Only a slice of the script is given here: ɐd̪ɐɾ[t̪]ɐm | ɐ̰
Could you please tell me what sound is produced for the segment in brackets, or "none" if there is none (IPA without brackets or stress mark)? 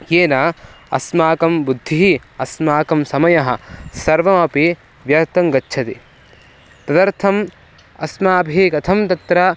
t̪ʰ